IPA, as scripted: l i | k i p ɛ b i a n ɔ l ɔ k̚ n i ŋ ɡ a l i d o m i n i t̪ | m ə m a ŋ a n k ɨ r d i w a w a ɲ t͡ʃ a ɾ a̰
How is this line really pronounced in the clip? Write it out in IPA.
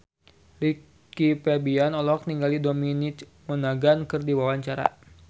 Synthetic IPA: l i | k i p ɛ b i a n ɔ l ɔ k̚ n i ŋ ɡ a l i d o m i n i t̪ | m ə n a ɡ a n k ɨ r d i w a w a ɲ t͡ʃ a ɾ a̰